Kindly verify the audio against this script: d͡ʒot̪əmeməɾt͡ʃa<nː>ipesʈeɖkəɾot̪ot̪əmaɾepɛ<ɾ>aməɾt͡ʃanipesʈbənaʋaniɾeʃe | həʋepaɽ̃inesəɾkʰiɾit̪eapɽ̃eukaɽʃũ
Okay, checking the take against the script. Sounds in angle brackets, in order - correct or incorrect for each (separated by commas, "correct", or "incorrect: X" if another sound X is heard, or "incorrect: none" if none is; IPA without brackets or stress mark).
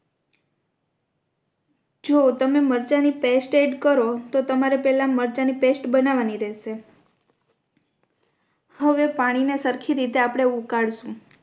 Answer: incorrect: n, incorrect: l